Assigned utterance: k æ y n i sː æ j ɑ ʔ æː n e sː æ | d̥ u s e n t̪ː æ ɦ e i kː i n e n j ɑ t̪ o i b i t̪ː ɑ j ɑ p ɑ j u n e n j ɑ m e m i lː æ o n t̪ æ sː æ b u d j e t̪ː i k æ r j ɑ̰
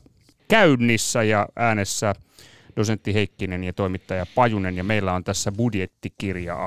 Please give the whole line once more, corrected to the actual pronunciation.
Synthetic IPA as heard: k æ y nː i sː æ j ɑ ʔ æː n e sː æ | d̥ o s e n t̪ː i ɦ e i kː i n e n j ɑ t̪ o i m i t̪ː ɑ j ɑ p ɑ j u n e n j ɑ m e i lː æ o n t̪ æ sː æ b u d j e t̪ː i k i r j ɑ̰